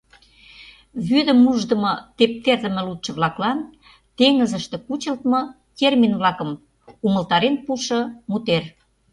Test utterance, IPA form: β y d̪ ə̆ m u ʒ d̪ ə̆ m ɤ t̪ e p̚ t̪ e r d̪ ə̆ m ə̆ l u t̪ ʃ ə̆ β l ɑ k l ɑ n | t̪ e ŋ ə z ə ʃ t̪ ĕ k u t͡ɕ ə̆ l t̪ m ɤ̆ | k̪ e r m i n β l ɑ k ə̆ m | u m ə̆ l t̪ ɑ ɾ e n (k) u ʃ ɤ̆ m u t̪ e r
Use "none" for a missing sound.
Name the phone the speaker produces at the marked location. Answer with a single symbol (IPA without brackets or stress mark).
p